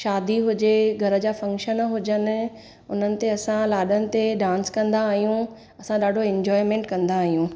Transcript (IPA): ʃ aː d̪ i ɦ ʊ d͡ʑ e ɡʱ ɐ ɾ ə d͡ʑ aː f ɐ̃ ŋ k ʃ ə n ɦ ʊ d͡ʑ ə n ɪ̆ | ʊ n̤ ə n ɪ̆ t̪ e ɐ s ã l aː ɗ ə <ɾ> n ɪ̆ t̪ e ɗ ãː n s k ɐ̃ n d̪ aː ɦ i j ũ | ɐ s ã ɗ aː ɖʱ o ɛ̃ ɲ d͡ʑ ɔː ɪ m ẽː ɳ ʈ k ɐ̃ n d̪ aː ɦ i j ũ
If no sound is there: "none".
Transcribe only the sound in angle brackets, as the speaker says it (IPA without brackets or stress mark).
none